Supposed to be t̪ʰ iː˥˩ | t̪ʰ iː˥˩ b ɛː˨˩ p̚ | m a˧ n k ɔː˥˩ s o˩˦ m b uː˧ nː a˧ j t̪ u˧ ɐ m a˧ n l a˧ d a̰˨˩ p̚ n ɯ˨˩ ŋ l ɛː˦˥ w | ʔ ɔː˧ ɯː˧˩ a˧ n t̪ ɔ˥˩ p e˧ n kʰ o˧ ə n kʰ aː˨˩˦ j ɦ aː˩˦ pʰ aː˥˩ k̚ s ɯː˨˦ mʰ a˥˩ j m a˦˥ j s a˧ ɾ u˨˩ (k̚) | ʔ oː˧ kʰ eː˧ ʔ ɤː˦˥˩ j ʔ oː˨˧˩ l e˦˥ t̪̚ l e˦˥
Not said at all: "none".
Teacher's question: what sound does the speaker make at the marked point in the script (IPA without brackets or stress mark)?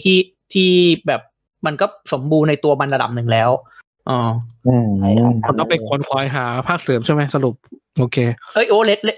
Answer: p̚